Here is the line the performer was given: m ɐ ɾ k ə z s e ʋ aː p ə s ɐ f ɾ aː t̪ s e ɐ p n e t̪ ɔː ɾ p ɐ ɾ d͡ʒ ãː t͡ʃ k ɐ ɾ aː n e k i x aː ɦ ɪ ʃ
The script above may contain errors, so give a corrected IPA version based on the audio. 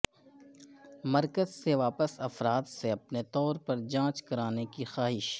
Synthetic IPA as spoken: m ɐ ɾ k ə z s e ʋ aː p ə s ɐ f ɾ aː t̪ s e ɐ p n e t̪ ɔː ɾ p ɐ ɾ d͡ʒ ãː t͡ʃ k ɐ ɾ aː n e k i x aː ɦ ɪ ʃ

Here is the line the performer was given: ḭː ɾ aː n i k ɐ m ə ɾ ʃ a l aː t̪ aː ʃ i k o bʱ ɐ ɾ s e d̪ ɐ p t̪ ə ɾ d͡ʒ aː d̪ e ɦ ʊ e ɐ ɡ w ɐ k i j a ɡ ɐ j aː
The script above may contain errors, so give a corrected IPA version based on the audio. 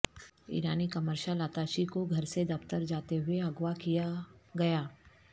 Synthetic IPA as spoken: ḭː ɾ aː n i k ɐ m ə ɾ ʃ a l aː t̪ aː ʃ i k o ɡʱ ɐ ɾ s e d̪ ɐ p t̪ ə ɾ d͡ʒ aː t̪ e ɦ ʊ e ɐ ɡ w a k i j a ɡ ɐ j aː

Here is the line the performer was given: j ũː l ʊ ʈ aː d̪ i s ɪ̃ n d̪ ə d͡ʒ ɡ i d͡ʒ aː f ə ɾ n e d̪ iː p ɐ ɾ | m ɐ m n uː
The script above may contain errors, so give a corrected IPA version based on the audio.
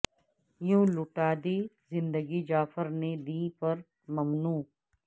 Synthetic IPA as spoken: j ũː l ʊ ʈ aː d̪ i z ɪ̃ n d̪ ə ɡ i d͡ʒ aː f ə ɾ n e d̪ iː p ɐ ɾ | m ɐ m n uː

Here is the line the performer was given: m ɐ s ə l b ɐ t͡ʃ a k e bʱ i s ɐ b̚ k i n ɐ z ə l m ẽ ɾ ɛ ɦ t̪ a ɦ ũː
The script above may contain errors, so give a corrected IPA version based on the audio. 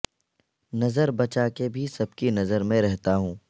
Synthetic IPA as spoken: n ɐ z ə ɾ b ɐ t͡ʃ a k e bʱ i s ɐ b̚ k i n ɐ z ə ɾ m ẽ ɾ ɛ ɦ t̪ a ɦ ũː

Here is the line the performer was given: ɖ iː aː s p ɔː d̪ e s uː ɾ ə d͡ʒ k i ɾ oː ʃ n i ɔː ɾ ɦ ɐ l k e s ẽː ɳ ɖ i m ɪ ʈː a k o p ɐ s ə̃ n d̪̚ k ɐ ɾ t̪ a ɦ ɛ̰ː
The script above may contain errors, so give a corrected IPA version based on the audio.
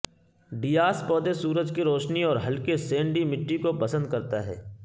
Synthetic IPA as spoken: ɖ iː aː s p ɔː d̪ e s uː ɾ ə d͡ʒ k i ɾ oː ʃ n i ɔː ɾ ɦ ɐ l k e s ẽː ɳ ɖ i m ɪ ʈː i k o p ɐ s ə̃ n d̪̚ k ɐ ɾ t̪ a ɦ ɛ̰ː

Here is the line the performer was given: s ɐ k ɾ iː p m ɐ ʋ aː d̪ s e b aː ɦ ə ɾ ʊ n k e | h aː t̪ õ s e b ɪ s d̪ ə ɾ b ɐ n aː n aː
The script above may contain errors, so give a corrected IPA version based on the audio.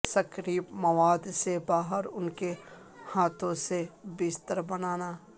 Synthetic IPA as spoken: s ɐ k ɾ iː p m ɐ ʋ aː d̪ s e b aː ɦ ə ɾ ʊ n k e | h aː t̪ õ s e b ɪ s t̪ ə ɾ b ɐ n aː n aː

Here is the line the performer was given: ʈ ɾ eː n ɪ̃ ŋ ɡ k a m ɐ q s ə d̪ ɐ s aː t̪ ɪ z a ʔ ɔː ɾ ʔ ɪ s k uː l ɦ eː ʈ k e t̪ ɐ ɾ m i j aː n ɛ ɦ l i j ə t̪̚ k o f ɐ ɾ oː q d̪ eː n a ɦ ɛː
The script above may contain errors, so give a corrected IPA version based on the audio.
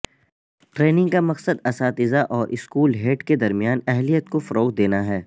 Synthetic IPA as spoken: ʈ ɾ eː n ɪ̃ ŋ ɡ k a m ɐ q s ə d̪ ɐ s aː t̪ ɪ z a ʔ ɔː ɾ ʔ ɪ s k uː l ɦ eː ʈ k e d̪ ɐ ɾ m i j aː n ɛ ɦ l i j ə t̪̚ k o f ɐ ɾ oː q d̪ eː n a ɦ ɛː

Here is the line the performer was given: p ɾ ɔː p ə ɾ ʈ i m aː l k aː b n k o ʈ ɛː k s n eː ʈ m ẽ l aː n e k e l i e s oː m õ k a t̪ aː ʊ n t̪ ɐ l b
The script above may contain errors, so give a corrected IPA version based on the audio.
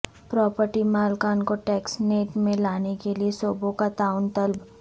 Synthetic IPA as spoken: p ɾ ɔː p ə ɾ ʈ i m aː l k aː n k o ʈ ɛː k s n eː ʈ m ẽ l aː n e k e l i e s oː b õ k a t̪ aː ʊ n t̪ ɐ l b

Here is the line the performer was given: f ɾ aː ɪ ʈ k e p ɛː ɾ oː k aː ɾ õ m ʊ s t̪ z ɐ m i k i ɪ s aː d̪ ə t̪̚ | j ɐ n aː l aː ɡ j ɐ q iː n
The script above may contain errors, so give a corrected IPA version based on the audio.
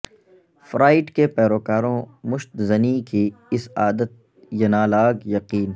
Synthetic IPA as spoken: f ɾ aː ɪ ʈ k e p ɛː ɾ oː k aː ɾ õ m ʊ ʃ t̪ z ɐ n i k i ɪ s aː d̪ ə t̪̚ | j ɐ n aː l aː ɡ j ɐ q iː n

